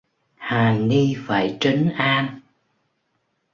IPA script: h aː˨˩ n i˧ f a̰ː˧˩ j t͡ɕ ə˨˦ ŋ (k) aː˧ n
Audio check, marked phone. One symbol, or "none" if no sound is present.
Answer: ʔ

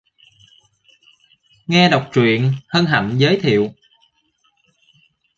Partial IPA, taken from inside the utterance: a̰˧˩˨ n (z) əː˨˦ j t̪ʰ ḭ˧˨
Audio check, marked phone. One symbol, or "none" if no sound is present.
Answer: z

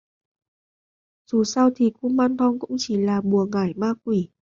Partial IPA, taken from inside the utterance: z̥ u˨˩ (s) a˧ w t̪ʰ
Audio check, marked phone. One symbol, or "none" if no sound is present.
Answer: s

